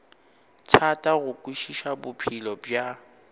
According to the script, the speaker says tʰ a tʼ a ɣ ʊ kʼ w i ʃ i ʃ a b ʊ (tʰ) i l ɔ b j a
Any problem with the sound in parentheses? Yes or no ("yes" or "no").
yes